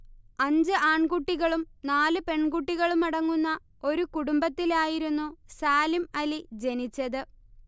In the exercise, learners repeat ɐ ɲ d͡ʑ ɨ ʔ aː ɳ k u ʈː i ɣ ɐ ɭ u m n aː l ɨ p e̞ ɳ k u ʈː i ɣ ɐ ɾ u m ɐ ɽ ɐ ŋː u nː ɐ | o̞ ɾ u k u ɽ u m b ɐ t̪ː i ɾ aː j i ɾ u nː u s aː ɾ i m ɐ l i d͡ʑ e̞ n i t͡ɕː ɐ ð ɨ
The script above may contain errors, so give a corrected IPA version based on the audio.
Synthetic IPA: ɐ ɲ d͡ʑ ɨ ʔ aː ɳ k u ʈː i ɣ ɐ ɭ u m n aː l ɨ p e̞ ɳ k u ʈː i ɣ ɐ ɭ u m ɐ ɽ ɐ ŋː u nː ɐ | o̞ ɾ u k u ɽ u m b ɐ t̪ː i l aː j i ɾ u nː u s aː l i m ɐ l i d͡ʑ e̞ n i t͡ɕː ɐ ð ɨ

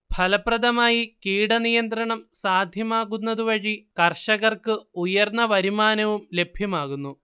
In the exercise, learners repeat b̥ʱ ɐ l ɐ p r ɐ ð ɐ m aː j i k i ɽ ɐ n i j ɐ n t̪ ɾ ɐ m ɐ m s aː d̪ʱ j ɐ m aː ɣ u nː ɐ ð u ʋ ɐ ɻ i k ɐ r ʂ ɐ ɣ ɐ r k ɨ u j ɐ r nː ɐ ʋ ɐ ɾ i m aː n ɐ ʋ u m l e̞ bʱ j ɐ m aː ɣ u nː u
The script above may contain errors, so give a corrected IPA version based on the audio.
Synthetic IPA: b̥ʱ ɐ l ɐ p r ɐ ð ɐ m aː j i k iː ɽ ɐ n i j ɐ n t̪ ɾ ɐ ɳ ɐ m s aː d̪ʱ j ɐ m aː ɣ u nː ɐ ð u ʋ ɐ ɻ i k ɐ r ʂ ɐ ɣ ɐ r k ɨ u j ɐ r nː ɐ ʋ ɐ ɾ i m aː n ɐ ʋ u m l e̞ bʱ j ɐ m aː ɣ u nː u

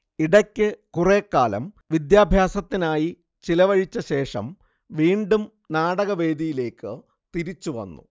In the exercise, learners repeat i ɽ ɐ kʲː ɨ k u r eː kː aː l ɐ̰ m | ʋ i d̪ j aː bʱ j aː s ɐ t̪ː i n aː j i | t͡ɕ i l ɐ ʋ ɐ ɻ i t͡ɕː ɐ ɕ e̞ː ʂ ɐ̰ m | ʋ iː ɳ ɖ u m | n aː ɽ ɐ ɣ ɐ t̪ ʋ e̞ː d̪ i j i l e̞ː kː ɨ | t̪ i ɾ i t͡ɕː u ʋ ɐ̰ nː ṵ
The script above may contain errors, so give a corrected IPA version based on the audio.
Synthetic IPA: i ɽ ɐ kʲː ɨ k u r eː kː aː l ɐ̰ m | ʋ i d̪ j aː bʱ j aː s ɐ t̪ː i n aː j i | t͡ɕ i l ɐ ʋ ɐ ɻ i t͡ɕː ɐ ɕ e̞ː ʂ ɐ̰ m | ʋ iː ɳ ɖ u m | n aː ɽ ɐ ɣ ɐ ʋ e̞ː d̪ i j i l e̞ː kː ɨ | t̪ i ɾ i t͡ɕː u ʋ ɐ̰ nː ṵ

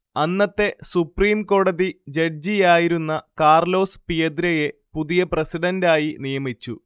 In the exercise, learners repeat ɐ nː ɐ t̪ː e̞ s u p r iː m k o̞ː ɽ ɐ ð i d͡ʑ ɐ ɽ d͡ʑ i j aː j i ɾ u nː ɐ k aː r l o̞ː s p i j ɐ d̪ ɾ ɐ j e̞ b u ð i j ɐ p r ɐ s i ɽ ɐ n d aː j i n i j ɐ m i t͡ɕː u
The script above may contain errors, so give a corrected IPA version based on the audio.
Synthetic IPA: ɐ nː ɐ t̪ː e̞ s u p r iː m k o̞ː ɽ ɐ ð i d͡ʑ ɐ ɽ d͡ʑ i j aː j i ɾ u nː ɐ k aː r l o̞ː s p i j ɐ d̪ ɾ ɐ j e̞ p u ð i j ɐ p r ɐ s i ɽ ɐ n d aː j i n i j ɐ m i t͡ɕː u

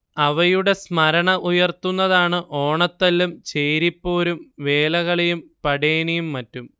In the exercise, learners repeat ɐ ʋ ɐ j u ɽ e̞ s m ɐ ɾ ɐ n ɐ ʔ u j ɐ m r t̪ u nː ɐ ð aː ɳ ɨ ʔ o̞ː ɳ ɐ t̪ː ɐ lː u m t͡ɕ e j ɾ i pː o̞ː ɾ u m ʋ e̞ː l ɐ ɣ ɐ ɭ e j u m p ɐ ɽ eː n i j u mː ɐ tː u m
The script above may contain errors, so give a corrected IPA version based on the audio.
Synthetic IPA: ɐ ʋ ɐ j u ɽ e̞ s m ɐ ɾ ɐ ɳ ɐ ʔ u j ɐ r t̪ u nː ɐ ð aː ɳ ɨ ʔ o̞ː ɳ ɐ t̪ː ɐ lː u m t͡ɕ e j ɾ i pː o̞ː ɾ u m ʋ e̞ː l ɐ ɣ ɐ ɭ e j u m p ɐ ɽ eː n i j u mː ɐ tː u m

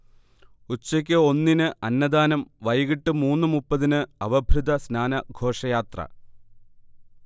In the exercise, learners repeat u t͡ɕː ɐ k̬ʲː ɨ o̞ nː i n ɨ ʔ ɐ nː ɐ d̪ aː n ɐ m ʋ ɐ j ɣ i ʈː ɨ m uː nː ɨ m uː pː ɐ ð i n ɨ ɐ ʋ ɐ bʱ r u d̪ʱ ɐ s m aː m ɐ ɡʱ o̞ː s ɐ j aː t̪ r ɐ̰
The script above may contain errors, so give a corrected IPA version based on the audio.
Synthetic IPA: u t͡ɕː ɐ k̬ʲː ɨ o̞ nː i n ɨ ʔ ɐ nː ɐ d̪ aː n ɐ m ʋ ɐ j ɣ i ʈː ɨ m uː nː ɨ m u pː ɐ ð i n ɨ ɐ ʋ ɐ bʱ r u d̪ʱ ɐ s n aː n ɐ ɡʱ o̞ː ʂ ɐ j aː t̪ r ɐ̰

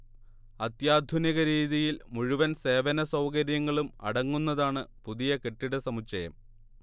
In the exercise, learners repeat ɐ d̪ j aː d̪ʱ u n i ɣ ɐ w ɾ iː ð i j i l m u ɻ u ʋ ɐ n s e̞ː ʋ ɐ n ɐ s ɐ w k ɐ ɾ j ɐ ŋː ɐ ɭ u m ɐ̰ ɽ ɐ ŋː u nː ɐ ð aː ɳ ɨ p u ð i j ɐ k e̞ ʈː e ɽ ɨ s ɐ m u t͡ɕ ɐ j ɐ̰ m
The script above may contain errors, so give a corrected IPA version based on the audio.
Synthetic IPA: ɐ t̪ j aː d̪ʱ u n i ɣ ɐ ɾ iː ð i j i l m u ɻ u ʋ ɐ n s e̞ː ʋ ɐ n ɐ s ɐ w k ɐ ɾ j ɐ ŋː ɐ ɭ u m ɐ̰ ɽ ɐ ŋː u nː ɐ ð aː ɳ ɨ p u ð i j ɐ k e̞ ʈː i ɽ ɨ s ɐ m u t͡ɕ ɐ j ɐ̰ m

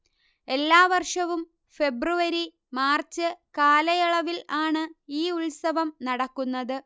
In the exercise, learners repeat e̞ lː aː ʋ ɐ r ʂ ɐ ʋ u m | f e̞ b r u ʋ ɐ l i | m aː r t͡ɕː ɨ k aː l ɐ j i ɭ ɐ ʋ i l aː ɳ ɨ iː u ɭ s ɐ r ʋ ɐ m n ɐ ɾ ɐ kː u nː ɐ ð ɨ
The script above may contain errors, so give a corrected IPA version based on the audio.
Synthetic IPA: e̞ lː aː ʋ ɐ r ʂ ɐ ʋ u m | f e̞ b r u ʋ ɐ ɾ i | m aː r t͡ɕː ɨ k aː l ɐ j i ɭ ɐ ʋ i l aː ɳ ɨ iː u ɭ s ɐ ʋ ɐ m n ɐ ɽ ɐ kː u nː ɐ ð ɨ

